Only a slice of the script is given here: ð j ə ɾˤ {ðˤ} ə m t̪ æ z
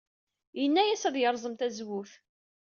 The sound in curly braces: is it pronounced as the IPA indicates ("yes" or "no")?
no